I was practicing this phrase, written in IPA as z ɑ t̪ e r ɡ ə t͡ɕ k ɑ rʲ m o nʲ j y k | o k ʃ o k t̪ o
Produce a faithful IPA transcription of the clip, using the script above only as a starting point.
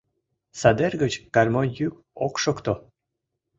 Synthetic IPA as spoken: s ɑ d̪ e r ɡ ə t͡ɕ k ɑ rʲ m o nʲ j y k | o k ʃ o k t̪ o